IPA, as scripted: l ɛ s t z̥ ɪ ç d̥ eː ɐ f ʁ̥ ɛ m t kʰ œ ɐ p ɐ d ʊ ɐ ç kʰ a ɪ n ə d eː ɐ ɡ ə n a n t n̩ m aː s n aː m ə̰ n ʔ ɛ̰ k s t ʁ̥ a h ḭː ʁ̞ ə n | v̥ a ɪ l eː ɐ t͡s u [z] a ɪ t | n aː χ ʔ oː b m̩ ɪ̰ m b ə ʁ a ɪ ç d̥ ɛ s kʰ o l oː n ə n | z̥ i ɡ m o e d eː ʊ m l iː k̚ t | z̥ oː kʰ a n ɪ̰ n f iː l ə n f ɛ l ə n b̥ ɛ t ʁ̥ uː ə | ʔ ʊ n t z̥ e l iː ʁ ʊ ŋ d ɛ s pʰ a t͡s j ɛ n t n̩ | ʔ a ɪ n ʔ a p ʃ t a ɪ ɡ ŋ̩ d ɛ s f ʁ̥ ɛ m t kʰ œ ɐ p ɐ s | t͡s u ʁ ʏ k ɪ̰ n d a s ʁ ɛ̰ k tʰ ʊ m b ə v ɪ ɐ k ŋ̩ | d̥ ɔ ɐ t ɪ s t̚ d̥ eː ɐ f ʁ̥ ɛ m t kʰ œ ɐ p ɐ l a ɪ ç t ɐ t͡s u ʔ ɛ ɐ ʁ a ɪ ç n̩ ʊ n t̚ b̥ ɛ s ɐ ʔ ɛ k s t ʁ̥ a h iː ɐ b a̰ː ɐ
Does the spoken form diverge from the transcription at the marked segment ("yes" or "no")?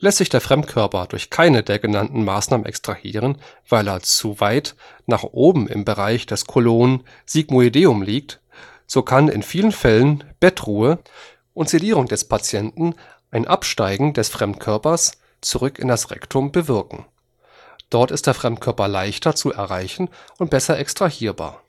yes